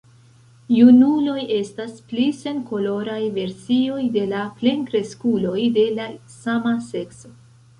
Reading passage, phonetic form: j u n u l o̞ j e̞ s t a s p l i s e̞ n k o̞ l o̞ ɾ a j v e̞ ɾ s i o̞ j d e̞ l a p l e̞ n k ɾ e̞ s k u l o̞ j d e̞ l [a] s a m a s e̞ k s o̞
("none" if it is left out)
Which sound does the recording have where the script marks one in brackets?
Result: a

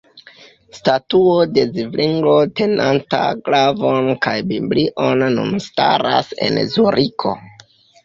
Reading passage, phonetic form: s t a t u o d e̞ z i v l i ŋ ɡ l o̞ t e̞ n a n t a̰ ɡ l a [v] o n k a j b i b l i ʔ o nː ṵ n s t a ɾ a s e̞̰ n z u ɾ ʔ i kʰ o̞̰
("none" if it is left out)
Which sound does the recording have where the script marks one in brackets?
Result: v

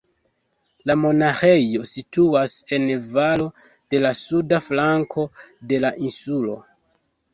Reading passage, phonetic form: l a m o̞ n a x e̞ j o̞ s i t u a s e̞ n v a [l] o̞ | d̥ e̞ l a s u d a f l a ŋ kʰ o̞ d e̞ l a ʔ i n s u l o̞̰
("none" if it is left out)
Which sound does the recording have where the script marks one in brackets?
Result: l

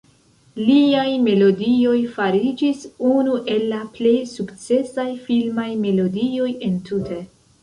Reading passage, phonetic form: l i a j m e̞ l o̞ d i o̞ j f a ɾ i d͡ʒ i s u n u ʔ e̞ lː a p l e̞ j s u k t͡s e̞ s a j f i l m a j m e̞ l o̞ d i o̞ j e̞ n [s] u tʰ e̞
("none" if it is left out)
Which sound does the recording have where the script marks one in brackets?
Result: t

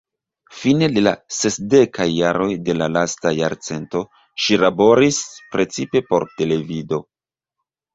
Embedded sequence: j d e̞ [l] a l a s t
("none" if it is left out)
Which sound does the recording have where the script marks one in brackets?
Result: l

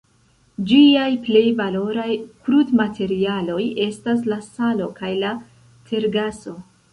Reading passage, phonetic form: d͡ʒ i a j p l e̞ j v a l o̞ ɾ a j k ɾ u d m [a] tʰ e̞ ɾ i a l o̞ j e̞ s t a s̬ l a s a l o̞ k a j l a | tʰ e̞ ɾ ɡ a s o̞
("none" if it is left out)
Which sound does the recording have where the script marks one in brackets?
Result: a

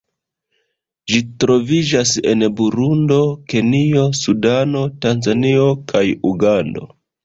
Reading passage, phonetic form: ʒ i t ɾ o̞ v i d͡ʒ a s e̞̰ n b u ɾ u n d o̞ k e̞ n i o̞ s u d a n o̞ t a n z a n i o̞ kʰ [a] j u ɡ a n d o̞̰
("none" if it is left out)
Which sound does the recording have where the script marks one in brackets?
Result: a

